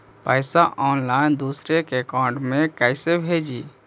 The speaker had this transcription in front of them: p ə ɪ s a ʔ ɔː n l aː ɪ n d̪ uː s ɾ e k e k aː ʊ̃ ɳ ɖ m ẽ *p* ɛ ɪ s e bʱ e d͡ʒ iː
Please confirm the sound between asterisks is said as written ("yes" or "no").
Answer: no